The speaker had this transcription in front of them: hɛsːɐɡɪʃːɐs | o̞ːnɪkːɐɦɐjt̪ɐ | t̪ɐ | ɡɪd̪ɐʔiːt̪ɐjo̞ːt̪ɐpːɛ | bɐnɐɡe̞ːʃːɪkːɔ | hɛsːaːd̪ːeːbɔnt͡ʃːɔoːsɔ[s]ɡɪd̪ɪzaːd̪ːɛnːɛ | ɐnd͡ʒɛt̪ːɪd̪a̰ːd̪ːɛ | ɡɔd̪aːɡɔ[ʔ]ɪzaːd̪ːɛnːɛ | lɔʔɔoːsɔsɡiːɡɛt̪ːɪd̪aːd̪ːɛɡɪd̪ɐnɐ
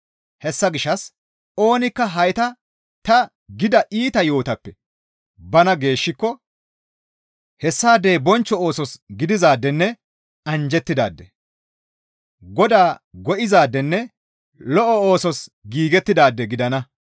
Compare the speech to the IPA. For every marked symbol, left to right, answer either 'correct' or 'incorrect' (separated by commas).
correct, correct